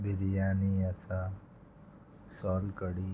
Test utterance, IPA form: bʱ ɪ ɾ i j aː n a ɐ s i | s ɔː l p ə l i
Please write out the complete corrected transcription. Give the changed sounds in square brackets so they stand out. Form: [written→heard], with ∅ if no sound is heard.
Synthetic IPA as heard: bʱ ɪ ɾ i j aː n [a→i] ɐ s [i→a] | s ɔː l [p→k] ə [l→ɽ] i